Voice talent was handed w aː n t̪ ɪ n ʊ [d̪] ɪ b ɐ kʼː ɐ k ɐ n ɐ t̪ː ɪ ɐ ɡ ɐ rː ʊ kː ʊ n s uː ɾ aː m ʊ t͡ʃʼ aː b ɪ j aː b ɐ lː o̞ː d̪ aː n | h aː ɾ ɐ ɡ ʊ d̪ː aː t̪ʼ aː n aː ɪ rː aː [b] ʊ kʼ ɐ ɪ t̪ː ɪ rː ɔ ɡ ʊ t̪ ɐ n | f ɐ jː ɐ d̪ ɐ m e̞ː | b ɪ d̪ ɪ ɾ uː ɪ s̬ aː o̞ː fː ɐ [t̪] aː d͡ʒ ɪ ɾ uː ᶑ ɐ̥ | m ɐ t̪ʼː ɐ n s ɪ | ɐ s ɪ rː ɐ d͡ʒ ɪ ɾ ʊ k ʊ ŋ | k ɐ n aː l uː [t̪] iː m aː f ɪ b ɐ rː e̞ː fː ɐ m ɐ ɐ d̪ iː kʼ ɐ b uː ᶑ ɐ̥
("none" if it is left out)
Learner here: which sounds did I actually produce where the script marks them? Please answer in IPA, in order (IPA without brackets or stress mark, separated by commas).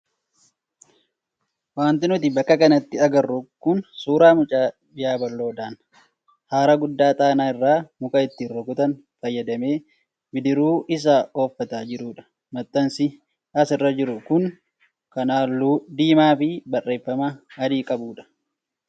t̪, m, t̪, d̪